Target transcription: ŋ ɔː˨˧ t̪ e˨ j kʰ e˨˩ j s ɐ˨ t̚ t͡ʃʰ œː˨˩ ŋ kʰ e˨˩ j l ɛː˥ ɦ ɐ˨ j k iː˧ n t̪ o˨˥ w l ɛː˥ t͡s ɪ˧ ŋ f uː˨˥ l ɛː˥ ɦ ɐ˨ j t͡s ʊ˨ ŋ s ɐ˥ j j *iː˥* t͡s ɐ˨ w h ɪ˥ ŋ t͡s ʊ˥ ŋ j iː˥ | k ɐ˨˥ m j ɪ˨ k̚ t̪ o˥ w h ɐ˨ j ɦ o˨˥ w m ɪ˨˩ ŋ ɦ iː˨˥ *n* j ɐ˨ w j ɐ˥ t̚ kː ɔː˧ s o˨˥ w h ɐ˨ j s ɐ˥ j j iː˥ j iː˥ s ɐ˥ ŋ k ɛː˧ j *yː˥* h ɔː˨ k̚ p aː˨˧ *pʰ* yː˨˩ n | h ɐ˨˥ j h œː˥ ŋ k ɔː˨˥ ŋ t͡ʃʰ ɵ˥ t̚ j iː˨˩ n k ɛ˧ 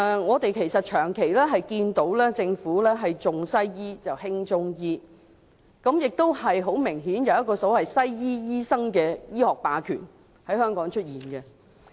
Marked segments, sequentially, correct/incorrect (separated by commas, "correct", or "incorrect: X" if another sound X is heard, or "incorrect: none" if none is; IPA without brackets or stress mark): correct, correct, incorrect: iː˥, incorrect: kʰ